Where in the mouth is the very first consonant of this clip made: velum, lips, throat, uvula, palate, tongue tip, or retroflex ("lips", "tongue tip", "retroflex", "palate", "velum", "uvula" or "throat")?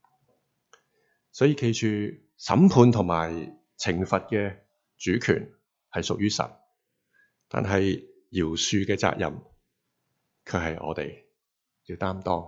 tongue tip